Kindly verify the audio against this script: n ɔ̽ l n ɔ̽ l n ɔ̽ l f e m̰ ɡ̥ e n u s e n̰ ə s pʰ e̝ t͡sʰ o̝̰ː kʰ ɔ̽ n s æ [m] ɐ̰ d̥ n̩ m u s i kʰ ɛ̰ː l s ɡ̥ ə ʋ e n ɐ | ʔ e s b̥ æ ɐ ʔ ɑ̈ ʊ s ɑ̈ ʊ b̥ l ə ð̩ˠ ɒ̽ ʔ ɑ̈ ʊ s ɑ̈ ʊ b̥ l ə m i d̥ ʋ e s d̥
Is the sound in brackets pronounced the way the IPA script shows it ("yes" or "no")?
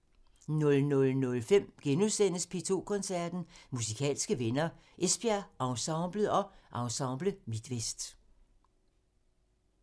no